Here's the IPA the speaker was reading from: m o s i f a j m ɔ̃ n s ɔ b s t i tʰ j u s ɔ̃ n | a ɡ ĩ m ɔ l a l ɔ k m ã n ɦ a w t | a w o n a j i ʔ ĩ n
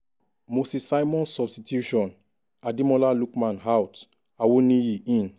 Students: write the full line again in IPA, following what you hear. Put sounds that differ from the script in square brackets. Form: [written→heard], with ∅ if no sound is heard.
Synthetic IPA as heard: m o s i [f→s] a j m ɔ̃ n s ɔ b s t i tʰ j u [s→ʃ] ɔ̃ n | a [ɡ→d] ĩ m ɔ l a l [ɔ→u] k m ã n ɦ a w t | a w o n [a→i] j i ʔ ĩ n